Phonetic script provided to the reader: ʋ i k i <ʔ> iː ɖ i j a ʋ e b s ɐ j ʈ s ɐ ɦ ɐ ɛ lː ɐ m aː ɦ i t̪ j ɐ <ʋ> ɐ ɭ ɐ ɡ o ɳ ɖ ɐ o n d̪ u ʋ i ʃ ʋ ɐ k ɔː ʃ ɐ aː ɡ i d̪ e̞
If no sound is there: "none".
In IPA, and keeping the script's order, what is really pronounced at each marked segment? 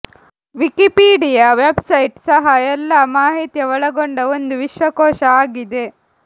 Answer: p, ʋ

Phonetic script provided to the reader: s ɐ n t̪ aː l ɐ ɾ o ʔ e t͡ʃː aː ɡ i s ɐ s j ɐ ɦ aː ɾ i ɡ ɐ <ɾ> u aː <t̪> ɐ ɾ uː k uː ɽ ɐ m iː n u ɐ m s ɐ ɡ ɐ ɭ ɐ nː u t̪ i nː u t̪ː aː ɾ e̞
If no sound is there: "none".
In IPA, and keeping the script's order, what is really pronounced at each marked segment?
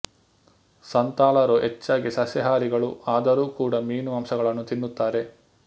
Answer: ɭ, d̪

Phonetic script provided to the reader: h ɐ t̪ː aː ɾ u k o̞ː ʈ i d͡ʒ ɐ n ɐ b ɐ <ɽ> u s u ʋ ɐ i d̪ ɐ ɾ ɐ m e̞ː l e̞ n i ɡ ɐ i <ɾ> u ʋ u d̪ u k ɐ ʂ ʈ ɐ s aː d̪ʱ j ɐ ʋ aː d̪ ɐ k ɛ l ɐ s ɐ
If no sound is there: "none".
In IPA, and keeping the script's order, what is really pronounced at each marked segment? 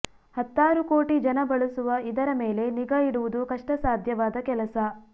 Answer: ɭ, ɽ

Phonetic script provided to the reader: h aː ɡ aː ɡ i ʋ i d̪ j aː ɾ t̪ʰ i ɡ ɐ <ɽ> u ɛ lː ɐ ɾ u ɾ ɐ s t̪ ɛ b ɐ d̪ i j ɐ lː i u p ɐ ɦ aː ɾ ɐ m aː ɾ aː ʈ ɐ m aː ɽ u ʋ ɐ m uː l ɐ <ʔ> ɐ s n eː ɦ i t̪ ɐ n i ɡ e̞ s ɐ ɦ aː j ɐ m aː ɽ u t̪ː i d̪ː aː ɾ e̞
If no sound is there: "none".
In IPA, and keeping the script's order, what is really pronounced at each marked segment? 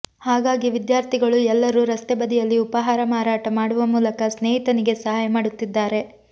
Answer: ɭ, k

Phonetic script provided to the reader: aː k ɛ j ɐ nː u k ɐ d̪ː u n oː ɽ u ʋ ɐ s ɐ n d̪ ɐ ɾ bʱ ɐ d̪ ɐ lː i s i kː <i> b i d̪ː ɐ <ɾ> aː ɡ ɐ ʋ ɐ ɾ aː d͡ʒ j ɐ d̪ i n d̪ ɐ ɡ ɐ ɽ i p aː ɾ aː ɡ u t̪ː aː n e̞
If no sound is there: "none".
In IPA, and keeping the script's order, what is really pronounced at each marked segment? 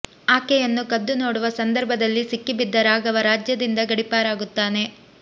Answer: i, ɾ

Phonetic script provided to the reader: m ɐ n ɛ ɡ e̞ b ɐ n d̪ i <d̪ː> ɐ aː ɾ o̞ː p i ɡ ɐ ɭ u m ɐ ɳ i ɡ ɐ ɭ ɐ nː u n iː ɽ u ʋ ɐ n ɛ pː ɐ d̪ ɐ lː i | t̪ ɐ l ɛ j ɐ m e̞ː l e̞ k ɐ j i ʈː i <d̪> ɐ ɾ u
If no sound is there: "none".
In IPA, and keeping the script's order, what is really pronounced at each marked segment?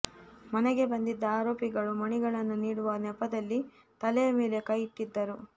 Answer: d̪ː, d̪ː

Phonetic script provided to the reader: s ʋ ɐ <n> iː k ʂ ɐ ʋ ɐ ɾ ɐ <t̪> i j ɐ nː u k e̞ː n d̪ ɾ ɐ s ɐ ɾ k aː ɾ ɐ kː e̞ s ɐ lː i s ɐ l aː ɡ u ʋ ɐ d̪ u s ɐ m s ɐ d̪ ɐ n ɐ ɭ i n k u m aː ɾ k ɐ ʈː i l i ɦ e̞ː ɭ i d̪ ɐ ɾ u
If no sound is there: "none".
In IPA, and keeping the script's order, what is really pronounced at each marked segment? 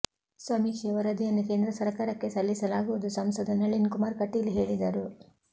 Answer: m, d̪

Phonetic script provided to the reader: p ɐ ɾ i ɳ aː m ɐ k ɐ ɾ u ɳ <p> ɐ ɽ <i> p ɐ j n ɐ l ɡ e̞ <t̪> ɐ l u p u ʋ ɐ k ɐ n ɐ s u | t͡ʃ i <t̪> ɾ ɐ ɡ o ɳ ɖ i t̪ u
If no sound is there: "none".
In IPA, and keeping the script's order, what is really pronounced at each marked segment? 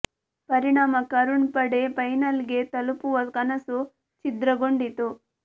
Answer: p, e, t̪, d̪

